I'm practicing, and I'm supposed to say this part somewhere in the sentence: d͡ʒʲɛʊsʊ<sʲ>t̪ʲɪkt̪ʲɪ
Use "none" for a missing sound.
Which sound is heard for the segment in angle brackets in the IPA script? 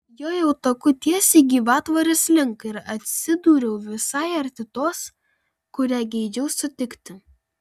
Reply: none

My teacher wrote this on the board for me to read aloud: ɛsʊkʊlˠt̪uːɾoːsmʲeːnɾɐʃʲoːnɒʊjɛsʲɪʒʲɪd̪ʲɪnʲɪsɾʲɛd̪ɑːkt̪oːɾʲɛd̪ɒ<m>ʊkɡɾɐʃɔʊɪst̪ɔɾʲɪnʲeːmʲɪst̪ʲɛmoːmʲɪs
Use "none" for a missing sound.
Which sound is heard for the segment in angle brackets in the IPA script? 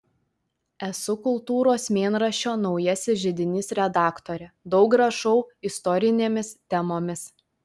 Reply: none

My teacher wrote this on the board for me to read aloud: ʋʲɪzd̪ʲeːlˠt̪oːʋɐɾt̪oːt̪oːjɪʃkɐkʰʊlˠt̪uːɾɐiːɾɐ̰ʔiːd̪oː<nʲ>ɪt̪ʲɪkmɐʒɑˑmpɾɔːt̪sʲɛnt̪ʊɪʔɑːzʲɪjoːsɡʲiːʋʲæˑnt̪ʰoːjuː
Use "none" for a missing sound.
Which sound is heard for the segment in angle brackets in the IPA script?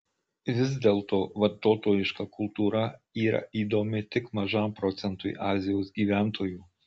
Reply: mʲ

